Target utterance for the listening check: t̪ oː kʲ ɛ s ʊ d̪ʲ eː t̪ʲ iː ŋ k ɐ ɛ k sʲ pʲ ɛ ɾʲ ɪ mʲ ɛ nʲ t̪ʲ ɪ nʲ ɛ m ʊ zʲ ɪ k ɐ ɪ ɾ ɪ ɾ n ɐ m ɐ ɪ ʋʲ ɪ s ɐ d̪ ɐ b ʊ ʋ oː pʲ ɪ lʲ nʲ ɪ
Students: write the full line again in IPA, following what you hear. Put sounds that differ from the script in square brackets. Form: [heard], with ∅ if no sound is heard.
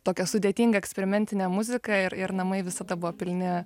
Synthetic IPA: t̪ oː kʲ ɛ s ʊ d̪ʲ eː t̪ʲ iː ŋ [ɡ] ɐ ɛ k sʲ pʲ ɛ ɾʲ ɪ mʲ ɛ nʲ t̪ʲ ɪ nʲ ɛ m ʊ zʲ ɪ k ɐ ɪ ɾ ɪ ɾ n ɐ m ɐ ɪ ʋʲ ɪ s ɐ d̪ ɐ b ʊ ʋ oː pʲ ɪ lʲ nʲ ɪ